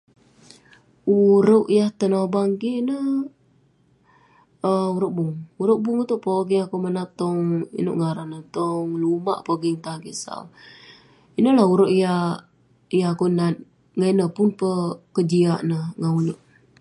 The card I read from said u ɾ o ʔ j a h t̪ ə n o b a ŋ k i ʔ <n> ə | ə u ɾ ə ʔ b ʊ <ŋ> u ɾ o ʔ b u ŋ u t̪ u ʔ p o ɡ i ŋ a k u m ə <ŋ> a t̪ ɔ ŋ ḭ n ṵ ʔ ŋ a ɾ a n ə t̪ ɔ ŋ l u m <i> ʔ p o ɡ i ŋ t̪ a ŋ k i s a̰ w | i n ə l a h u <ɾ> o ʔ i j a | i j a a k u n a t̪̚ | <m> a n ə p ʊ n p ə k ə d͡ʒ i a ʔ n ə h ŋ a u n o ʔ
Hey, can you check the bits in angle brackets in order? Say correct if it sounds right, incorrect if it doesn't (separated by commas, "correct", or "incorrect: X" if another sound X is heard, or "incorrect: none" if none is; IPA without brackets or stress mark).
correct, correct, incorrect: n, incorrect: a, correct, incorrect: ŋ